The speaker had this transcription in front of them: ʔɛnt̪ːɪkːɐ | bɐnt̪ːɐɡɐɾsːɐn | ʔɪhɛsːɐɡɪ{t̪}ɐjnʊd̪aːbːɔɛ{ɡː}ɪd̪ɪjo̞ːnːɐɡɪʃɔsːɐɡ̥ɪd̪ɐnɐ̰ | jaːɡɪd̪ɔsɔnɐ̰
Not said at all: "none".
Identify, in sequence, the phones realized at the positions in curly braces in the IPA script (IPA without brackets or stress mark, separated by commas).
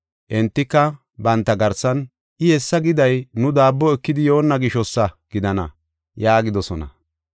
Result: d̪, kː